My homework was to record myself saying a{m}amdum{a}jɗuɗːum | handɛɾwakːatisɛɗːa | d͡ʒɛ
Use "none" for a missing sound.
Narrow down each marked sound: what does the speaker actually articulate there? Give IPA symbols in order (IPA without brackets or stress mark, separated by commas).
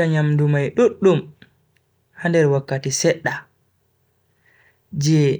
ɲ, a